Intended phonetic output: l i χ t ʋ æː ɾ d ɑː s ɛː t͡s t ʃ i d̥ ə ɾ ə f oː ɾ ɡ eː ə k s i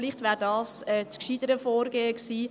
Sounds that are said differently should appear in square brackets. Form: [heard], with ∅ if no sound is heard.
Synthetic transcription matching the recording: l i χ t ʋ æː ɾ d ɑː s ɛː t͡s [k] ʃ i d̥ ə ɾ ə f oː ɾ ɡ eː ə k s [iː]